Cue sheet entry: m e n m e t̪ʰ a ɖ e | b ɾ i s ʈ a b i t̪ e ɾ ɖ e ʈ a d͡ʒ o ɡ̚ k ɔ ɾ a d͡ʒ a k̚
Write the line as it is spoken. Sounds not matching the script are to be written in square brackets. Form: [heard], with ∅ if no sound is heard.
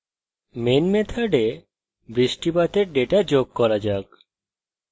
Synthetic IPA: m e n m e t̪ʰ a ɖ e | b ɾ i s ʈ [i] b [a] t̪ e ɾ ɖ e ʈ a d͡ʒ o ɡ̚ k ɔ ɾ a d͡ʒ a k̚

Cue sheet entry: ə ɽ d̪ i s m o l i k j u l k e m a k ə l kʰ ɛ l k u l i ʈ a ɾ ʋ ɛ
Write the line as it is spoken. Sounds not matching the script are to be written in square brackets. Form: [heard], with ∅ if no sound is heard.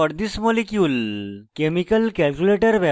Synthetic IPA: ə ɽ d̪ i s m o l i k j u l k e m [i] k ə l [k] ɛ l k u l [e] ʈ [ə] ɾ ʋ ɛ

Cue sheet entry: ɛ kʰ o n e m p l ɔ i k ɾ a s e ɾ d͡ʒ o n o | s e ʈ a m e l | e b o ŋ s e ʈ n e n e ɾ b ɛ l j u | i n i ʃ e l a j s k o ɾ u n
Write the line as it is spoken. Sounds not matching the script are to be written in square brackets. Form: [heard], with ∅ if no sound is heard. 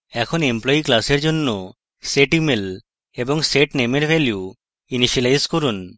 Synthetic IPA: ɛ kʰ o n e m p l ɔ i k [l] a s e ɾ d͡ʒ o [nː] o | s e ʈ [i] m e l | e b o ŋ s e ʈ n e [m] e ɾ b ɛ l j u | i n i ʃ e l a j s k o ɾ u n

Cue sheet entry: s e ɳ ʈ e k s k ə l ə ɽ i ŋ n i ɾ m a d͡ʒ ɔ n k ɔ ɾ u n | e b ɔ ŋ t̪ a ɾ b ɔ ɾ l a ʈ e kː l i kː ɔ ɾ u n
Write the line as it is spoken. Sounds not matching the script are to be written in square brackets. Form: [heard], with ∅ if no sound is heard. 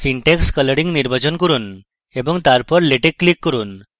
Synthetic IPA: s [i] ɳ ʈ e k s k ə l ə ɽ i ŋ n i ɾ [b] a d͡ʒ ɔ n k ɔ ɾ u n | e b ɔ ŋ t̪ a ɾ [p] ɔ ɾ l [e] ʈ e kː l i kː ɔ ɾ u n

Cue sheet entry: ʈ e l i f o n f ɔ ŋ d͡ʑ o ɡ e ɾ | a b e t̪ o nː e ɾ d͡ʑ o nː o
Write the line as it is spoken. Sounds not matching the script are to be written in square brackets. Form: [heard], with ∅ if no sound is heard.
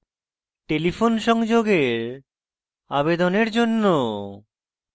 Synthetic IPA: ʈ e l i f o n [ʃ] ɔ ŋ d͡ʑ o ɡ e ɾ | a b e [d̪] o [n] e ɾ d͡ʑ o nː o

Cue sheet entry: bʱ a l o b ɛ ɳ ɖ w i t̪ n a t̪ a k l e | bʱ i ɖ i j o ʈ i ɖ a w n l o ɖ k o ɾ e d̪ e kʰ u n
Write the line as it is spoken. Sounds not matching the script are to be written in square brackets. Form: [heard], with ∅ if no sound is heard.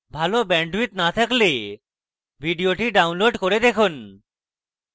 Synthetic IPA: bʱ a l o b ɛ ɳ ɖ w i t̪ n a [t̪ʰ] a k l e | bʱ i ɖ i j o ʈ i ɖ a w n l o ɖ k o ɾ e d̪ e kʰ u n

